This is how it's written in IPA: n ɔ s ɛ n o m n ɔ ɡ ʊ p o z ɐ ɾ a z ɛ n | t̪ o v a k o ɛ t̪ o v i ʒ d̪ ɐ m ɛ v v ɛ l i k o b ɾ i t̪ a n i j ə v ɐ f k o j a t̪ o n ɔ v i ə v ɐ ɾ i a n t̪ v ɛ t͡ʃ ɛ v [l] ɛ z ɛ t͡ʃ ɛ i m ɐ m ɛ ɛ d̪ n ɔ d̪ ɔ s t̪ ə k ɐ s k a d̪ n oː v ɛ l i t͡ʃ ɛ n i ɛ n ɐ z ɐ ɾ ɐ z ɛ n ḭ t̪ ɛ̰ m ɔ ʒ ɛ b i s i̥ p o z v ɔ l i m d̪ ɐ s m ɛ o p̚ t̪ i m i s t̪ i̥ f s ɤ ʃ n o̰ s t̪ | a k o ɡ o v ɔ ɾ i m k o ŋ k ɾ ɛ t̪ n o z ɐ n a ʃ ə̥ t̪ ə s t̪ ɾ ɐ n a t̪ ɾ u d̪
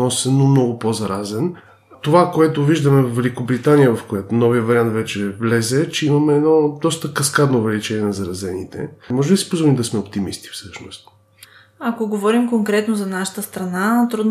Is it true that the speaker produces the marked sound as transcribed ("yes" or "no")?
yes